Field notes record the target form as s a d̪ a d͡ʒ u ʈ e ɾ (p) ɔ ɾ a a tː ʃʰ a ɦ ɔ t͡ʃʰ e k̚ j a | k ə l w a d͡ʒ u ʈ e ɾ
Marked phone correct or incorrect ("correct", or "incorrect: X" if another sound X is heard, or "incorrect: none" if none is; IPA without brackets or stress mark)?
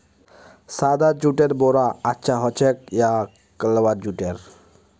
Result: incorrect: b